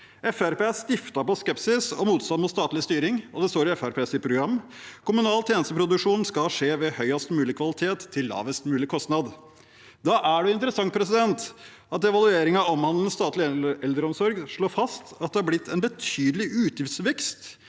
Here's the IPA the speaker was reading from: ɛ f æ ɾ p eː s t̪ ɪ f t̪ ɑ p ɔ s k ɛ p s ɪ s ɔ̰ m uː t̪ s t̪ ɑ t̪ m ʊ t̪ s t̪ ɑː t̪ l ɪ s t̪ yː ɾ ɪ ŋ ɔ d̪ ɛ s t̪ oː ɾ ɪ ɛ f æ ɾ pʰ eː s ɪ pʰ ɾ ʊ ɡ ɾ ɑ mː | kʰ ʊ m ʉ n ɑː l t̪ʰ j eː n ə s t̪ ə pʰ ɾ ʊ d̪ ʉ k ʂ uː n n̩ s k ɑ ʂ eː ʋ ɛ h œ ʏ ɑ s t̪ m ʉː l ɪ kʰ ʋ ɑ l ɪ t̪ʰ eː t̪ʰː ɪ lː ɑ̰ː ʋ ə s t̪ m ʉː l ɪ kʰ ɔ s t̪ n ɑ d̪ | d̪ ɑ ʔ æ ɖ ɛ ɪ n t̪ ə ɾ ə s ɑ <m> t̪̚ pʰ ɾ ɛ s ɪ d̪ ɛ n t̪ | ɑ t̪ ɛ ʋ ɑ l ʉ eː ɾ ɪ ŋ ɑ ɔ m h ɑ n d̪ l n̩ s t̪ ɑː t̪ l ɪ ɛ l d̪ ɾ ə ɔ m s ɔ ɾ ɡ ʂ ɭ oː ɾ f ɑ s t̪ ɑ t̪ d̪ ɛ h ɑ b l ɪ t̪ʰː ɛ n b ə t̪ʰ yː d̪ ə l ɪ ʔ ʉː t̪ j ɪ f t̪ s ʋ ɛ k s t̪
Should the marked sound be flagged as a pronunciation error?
yes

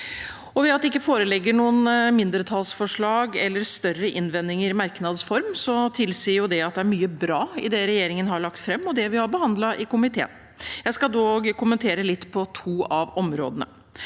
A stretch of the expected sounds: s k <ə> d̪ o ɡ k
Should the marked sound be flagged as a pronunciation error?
yes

